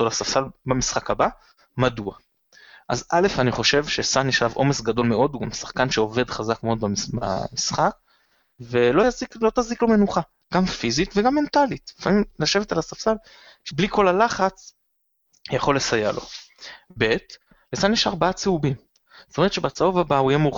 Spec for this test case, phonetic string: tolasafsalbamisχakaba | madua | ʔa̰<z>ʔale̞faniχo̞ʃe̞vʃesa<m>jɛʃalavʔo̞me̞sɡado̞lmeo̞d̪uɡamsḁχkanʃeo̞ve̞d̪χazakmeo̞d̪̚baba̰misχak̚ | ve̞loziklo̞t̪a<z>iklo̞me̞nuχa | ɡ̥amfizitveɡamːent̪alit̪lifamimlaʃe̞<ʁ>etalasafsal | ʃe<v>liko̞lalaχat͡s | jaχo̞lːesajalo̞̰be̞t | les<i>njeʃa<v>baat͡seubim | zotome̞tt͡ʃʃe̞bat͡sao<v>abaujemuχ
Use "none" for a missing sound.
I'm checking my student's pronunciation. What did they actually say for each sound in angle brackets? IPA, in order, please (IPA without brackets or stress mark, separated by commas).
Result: z, n, z, v, b, a, ʁ, v